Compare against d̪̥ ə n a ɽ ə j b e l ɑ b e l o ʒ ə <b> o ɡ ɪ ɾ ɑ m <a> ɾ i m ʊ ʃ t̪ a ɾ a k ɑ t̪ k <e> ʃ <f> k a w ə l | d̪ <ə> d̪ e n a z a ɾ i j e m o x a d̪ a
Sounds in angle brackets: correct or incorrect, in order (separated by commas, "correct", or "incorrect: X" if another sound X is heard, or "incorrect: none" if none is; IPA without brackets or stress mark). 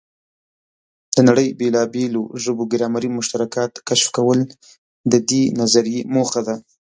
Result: correct, correct, incorrect: a, correct, correct